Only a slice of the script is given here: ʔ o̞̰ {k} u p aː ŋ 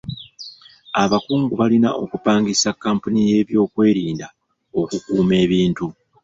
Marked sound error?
no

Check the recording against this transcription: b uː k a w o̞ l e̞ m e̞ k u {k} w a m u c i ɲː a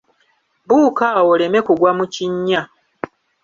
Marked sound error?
yes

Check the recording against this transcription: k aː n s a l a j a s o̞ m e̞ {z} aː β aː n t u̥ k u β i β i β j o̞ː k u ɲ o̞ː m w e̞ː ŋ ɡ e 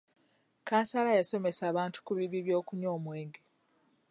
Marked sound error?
yes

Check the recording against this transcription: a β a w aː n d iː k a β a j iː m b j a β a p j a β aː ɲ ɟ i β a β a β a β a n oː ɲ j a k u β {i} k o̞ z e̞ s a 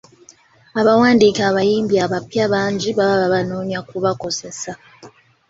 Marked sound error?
yes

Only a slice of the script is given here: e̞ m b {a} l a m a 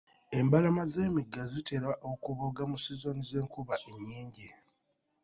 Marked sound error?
no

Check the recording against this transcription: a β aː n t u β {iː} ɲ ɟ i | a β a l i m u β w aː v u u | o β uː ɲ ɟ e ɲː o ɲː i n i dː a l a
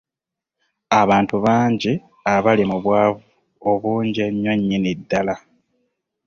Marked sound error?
yes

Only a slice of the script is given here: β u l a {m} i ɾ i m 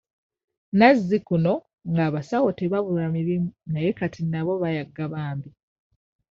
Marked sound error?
no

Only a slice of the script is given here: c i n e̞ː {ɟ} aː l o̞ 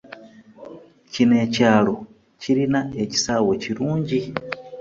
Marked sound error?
yes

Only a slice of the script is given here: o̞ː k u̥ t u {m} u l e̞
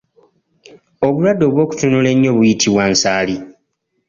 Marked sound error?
yes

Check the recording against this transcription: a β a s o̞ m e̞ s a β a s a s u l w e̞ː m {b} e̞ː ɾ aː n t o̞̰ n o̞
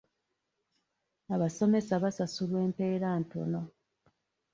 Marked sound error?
yes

